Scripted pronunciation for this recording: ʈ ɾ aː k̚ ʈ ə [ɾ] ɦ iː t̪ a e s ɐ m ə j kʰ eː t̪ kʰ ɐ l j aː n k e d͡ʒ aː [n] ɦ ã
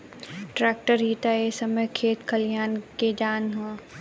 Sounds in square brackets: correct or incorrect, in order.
correct, correct

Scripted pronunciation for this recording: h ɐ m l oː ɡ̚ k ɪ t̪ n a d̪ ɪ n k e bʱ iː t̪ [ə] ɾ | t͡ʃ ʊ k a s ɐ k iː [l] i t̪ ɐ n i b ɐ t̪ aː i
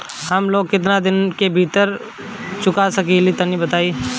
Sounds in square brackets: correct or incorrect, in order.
correct, correct

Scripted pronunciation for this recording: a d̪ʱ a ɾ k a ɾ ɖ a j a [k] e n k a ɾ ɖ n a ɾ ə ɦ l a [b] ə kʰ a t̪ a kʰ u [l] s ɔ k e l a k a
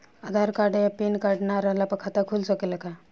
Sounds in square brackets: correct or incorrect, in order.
incorrect: p, incorrect: p, correct

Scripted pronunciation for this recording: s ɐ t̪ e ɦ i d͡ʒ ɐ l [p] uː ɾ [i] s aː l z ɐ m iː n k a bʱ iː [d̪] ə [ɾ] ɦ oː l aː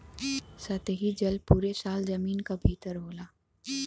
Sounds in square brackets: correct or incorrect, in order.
correct, incorrect: e, incorrect: t̪, correct

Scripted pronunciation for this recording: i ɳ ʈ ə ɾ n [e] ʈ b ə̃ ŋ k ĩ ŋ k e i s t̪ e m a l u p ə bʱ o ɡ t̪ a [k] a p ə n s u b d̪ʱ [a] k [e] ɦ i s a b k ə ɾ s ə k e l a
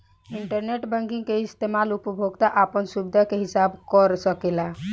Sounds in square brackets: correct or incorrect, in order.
correct, incorrect: ʔ, correct, correct

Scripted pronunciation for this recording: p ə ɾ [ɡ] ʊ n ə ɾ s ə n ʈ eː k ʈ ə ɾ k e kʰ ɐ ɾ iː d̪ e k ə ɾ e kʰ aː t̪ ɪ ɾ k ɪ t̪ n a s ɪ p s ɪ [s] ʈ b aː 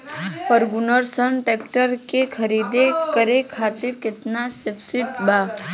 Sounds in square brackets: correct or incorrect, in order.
correct, incorrect: none

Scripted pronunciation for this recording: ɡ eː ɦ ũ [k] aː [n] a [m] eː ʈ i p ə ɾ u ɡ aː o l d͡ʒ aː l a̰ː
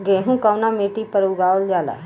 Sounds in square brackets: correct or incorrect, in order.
correct, correct, correct

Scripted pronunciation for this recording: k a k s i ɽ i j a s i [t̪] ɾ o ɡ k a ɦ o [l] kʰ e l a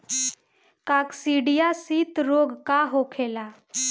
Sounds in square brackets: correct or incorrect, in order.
correct, incorrect: none

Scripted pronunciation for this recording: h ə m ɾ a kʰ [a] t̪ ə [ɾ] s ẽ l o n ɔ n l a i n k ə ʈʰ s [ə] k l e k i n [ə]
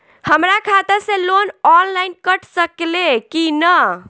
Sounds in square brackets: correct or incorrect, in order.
correct, correct, correct, correct

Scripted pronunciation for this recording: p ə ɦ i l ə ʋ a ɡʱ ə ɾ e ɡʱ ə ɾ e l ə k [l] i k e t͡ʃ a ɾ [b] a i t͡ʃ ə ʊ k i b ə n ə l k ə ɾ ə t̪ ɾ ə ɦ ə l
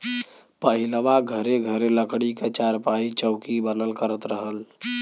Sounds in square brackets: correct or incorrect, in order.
incorrect: ɽ, incorrect: p

